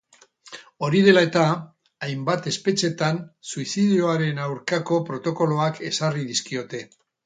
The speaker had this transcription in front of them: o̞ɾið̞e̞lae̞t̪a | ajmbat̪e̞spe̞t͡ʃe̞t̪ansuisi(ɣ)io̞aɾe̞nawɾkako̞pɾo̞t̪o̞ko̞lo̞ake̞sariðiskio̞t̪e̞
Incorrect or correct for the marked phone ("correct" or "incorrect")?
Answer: incorrect